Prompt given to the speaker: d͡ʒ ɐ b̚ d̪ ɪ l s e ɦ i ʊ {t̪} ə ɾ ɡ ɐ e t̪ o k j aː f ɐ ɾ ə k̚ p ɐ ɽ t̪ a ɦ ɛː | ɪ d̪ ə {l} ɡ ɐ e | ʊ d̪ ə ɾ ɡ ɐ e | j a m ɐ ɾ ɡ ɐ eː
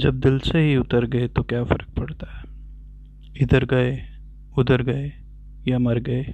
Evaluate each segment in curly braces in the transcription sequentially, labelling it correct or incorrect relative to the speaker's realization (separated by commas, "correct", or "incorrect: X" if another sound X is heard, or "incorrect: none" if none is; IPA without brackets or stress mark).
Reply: correct, incorrect: ɾ